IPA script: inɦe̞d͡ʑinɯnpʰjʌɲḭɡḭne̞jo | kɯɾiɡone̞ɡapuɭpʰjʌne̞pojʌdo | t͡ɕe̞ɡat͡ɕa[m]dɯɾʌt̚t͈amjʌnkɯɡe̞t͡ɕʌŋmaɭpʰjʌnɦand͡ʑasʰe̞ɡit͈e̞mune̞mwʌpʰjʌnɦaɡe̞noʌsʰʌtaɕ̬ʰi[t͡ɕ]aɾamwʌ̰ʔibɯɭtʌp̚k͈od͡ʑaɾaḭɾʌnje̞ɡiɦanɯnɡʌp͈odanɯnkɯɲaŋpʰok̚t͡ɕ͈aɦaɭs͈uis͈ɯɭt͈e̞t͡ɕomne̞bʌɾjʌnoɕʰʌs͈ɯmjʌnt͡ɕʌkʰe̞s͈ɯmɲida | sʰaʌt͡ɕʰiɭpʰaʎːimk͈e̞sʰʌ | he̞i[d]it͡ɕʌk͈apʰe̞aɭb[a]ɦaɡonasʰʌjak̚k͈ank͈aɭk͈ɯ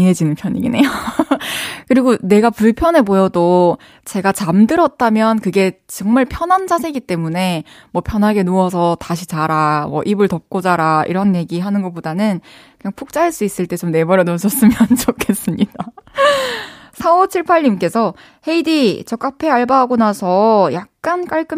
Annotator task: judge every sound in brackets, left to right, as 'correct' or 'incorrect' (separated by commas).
correct, correct, correct, correct